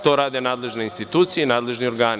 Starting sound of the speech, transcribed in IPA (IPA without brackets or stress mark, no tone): t̪